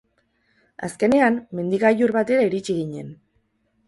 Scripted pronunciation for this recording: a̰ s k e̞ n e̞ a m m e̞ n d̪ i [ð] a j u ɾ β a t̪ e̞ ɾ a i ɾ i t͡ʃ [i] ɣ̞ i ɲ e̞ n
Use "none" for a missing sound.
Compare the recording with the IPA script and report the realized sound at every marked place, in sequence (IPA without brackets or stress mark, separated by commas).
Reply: ɣ, i